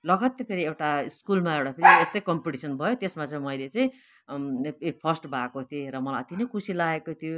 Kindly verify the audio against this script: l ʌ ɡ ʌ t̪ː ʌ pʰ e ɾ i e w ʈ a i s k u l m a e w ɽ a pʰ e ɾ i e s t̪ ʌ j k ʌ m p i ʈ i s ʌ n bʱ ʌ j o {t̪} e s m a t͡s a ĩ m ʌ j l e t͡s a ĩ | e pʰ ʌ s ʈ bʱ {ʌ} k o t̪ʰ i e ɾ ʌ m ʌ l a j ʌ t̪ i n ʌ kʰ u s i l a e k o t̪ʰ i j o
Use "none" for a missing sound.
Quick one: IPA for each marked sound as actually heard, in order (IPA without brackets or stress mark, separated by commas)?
t̪, a